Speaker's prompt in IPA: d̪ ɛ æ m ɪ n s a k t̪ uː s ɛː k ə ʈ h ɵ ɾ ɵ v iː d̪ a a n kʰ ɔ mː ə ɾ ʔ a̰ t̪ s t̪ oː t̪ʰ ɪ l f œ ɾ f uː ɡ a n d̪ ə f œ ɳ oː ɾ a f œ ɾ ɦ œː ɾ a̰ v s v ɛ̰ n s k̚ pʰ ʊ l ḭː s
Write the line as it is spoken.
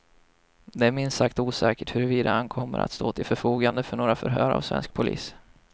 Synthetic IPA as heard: d̪ ɛ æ m ɪ n s a k t̪ uː s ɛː k ə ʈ h ɵ ɾ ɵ v iː d̪ a a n kʰ ɔ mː ə ɾ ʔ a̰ t̪ s t̪ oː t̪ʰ ɪ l f œ ɾ f uː ɡ a n d̪ ə f œ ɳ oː ɾ a f œ ɾ ɦ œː ɾ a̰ v s v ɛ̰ n s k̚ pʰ ʊ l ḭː s

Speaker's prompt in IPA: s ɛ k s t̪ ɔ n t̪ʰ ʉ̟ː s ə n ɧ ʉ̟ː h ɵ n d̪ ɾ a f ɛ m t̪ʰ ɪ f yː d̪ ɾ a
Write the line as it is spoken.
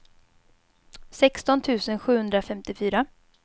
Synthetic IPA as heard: s ɛ k s t̪ ɔ n t̪ʰ ʉ̟ː s ə n ɧ ʉ̟ː h ɵ n d̪ ɾ a f ɛ m t̪ ɪ f yː ɾ a

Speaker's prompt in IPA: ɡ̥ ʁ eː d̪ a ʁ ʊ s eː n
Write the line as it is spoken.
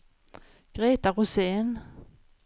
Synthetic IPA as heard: ɡ̥ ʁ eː t̪ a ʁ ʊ s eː n

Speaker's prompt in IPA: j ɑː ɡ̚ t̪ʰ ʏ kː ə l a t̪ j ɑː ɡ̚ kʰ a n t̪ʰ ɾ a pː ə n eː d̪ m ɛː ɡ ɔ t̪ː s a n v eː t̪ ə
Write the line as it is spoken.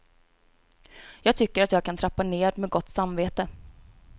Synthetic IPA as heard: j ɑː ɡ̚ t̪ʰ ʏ kː ə ɾ a t̪ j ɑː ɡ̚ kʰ a n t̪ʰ ɾ a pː a n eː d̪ m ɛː ɡ ɔ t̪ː s a m v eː t̪ ə

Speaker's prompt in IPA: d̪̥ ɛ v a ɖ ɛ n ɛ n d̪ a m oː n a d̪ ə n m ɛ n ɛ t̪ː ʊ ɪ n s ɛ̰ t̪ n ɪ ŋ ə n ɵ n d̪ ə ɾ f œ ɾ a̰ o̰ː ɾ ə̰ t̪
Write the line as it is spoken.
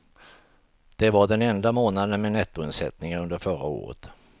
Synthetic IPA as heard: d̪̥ ɛ v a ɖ ɛ n ɛ n d̪ a m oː n a d̪ ə n m ɛ n ɛ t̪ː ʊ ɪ n s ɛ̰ t̪ n ɪ ŋ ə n ɵ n d̪ ə ɾ f œ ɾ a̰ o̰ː ɾ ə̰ t̪

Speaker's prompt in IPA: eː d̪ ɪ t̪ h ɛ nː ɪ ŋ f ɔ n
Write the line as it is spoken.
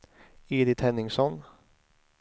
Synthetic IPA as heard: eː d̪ ɪ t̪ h ɛ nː ɪ ŋ s ɔ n

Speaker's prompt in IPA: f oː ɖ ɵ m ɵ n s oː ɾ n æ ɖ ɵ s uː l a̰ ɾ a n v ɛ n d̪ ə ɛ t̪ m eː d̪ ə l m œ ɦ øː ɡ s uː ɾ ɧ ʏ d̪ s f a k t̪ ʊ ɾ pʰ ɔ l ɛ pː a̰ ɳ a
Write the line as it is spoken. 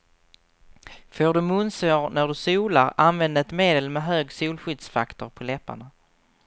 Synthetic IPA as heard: f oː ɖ ɵ m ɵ n s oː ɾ n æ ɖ ɵ s uː l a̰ ɾ a n v ɛ n d̪ ə ɛ t̪ m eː d̪ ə l m ɛ ɦ øː ɡ s uː l ɧ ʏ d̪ s f a k t̪ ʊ ɾ pʰ ɔ l ɛ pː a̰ ɳ a

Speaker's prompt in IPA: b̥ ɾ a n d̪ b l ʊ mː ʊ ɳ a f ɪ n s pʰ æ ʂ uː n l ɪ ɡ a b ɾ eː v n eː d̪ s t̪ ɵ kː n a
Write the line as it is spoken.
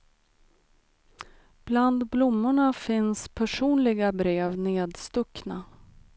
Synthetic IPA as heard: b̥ l a n d̪ b l ʊ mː ʊ ɳ a f ɪ n s pʰ æ ʂ uː n l ɪ ɡ a b ɾ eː v n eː d̪ s t̪ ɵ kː n a

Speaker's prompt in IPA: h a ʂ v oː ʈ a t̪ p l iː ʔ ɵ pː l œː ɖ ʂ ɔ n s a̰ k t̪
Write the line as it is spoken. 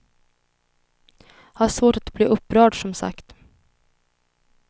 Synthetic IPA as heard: h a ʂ v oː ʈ a t̪ b l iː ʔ ɵ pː ɾ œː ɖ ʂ ɔ m s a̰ k t̪

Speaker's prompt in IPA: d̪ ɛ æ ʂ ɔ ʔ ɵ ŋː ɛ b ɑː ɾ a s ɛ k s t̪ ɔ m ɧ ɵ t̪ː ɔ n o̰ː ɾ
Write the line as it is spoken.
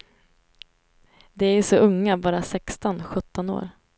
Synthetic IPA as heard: d̪ ɛ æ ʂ ɔ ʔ ɵ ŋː a b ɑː ɾ a s ɛ k s t̪ ɔ n ɧ ɵ t̪ː ɔ n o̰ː ɾ

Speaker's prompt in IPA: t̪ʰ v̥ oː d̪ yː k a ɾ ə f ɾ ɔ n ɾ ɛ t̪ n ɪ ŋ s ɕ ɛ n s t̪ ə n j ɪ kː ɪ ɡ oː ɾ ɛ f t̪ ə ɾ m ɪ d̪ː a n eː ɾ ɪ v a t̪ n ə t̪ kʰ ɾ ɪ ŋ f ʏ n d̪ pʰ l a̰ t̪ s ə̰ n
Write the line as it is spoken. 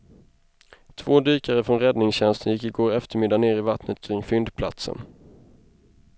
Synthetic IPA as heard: t̪ʰ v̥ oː d̪ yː k a ɾ ə f ɾ ɔ n ɾ ɛ d̪ n ɪ ŋ s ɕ ɛ n s t̪ ə n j ɪ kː ɪ ɡ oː ɾ ɛ f t̪ ə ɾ m ɪ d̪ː a n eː ɾ ɪ v a t̪ n ə t̪ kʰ ɾ ɪ ŋ f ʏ n d̪ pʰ l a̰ t̪ s ə̰ n

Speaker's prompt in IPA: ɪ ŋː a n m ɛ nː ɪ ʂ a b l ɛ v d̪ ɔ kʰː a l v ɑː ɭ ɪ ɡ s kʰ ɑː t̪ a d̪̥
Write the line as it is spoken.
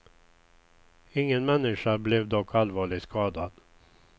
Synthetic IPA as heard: ɪ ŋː ə n m ɛ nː ɪ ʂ a b l ɛ v d̪ ɔ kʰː a l v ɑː ɭ ɪ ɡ s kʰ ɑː d̪ a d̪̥

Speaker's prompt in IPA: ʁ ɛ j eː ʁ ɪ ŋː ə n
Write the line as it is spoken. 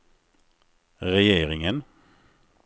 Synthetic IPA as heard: ʁ ɛ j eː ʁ ɪ ŋ ə n

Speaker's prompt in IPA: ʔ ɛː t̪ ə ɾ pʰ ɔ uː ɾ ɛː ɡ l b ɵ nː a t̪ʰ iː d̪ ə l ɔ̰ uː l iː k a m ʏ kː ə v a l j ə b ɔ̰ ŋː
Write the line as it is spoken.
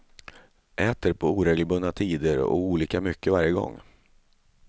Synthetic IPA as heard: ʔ ɛː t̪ ə ɾ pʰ ɔ uː ɾ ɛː ɡ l b ɵ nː a t̪ʰ iː d̪ ə ɾ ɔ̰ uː l iː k a m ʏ kː ə v a ɾ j ə ɡ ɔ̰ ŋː

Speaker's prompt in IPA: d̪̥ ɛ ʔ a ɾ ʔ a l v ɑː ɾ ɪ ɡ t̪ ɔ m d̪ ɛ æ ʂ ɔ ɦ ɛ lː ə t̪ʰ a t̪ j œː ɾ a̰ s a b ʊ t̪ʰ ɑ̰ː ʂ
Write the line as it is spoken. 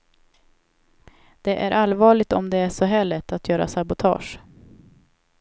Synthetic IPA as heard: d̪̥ ɛ ʔ æ ɾ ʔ a l v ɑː ɭ ɪ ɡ t̪ ɔ m d̪ ɛ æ ʂ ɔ ɦ ɛ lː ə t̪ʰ a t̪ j œː ɾ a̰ s a b ʊ t̪ʰ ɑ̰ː ʂ

